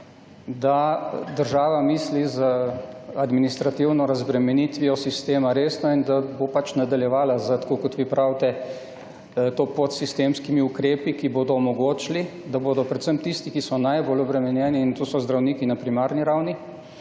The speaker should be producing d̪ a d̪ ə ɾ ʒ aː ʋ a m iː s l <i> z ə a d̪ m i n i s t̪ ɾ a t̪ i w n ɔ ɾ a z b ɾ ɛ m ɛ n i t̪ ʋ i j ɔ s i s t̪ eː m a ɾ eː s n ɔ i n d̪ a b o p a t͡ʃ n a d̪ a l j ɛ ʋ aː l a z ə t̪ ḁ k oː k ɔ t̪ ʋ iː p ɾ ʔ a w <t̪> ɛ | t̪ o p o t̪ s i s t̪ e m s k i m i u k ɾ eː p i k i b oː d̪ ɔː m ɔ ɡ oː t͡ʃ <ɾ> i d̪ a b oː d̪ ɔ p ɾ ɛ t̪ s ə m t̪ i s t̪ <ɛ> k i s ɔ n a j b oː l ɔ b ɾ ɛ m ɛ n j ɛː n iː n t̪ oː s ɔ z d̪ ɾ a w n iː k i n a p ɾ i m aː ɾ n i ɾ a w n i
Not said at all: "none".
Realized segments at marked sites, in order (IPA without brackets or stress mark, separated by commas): i, t̪, l, i